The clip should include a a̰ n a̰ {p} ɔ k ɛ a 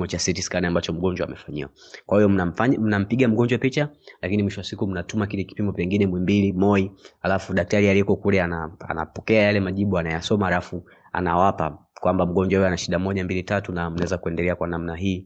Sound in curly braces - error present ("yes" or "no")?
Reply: no